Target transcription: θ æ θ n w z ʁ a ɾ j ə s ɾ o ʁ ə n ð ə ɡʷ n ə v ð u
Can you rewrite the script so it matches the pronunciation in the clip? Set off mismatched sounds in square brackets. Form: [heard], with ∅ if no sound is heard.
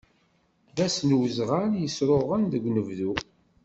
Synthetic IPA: [ð] æ [s] n w z ʁ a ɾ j ə s ɾ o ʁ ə n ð ə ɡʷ n ə v ð u